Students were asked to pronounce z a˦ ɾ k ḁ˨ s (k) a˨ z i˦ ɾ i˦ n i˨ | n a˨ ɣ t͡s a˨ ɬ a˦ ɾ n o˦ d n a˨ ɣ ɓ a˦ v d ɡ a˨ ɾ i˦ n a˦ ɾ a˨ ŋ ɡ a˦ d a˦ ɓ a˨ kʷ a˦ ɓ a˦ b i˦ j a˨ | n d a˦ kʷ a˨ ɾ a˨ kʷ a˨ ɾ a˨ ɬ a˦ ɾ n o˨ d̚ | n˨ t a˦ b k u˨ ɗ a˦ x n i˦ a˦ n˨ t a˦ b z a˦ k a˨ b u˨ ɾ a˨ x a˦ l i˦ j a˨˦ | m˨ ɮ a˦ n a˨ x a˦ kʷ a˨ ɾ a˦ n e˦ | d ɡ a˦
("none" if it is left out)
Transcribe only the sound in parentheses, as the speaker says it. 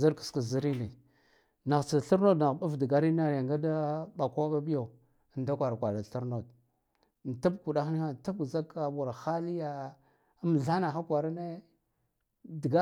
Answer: k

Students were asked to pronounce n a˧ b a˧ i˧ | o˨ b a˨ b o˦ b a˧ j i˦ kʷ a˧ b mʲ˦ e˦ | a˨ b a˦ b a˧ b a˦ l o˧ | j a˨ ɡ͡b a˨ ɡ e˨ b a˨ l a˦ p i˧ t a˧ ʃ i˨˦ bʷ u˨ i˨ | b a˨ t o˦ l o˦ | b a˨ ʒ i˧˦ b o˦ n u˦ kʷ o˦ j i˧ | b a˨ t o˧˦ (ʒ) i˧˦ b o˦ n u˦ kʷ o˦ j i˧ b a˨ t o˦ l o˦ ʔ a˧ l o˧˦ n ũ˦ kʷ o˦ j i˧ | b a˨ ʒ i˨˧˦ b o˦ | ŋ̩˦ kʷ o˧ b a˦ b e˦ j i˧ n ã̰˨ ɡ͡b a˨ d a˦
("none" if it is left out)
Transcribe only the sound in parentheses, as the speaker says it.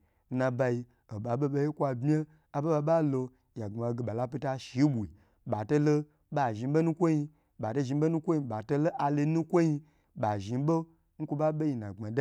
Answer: ʒ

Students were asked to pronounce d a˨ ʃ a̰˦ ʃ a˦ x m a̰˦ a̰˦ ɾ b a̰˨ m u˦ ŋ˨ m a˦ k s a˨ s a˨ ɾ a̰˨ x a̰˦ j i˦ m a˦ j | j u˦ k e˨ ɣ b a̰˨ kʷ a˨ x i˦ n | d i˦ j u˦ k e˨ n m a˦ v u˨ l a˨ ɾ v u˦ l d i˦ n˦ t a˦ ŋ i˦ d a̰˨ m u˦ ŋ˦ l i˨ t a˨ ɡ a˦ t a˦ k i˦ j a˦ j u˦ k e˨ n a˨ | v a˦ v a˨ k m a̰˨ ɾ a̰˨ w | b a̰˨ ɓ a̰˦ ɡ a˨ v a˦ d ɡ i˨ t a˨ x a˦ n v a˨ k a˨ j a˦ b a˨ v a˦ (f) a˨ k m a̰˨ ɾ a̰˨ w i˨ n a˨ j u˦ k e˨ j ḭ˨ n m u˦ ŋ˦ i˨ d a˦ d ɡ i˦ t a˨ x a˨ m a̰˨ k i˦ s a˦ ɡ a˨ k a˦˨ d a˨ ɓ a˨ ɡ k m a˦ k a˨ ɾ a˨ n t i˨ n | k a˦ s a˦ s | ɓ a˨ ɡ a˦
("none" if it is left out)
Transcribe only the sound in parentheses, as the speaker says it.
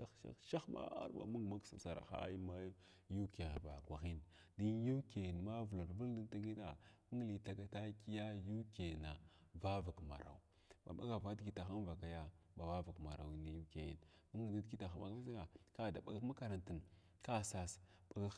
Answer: v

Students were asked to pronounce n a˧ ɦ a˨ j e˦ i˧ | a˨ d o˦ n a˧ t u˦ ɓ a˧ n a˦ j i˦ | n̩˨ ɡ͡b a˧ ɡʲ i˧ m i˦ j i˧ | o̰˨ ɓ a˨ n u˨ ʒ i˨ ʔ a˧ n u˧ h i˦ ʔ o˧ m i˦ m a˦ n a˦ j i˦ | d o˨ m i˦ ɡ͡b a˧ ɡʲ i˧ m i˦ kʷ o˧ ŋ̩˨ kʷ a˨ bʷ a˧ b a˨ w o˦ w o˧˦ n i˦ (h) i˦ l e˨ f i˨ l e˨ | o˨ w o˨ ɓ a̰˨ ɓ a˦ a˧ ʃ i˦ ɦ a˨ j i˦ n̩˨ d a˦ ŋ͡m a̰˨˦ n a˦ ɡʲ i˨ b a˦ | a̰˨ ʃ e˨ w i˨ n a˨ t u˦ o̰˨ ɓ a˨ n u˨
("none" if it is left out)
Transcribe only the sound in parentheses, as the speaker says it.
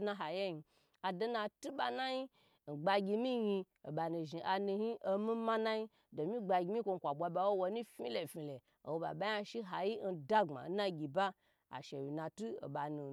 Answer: f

